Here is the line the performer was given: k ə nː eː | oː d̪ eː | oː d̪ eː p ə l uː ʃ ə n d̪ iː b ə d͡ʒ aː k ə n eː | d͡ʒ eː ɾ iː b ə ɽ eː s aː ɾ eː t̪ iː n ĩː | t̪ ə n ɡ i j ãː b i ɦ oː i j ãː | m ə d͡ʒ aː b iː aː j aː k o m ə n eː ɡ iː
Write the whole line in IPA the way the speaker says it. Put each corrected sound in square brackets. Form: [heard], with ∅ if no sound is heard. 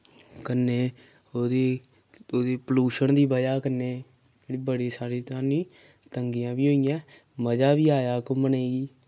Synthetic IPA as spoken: k ə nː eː | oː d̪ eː | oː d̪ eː p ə l uː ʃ ə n d̪ iː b ə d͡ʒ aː k ə n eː | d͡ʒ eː [ɽ] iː b ə ɽ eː s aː ɾ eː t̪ [aː] n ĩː | t̪ ə [ŋ] ɡ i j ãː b [iː] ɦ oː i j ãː | m ə d͡ʒ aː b iː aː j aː k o m ə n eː ɡ iː